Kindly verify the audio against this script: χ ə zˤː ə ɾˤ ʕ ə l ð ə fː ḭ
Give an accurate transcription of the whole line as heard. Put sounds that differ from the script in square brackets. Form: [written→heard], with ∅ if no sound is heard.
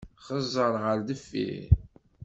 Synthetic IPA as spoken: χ ə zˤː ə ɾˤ [ʕ→ʁ] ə [l→ɾ] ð ə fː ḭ

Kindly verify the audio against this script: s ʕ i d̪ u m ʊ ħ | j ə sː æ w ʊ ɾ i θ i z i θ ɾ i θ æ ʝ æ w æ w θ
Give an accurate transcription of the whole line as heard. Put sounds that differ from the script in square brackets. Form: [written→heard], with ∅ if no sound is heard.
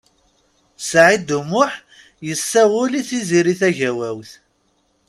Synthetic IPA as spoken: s ʕ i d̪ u m ʊ ħ | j ə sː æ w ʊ [ɾ→l] i θ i z i [θ→∅] ɾ i θ æ ʝ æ w æ w θ

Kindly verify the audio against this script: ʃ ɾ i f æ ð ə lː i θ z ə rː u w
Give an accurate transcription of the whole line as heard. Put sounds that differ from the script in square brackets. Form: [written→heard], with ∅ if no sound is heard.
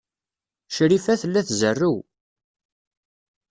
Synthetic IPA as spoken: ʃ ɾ i f æ [ð→θ] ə lː [i→æ] θ z ə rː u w

